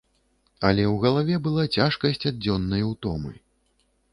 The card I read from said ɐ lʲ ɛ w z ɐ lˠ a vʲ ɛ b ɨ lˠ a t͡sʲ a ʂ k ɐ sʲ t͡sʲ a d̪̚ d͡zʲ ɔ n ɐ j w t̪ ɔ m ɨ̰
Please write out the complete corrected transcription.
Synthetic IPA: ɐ lʲ ɛ w ɣ ɐ lˠ a vʲ ɛ b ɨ lˠ a t͡sʲ a ʂ k ɐ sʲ t͡sʲ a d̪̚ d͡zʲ ɔ nː ɐ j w t̪ ɔ m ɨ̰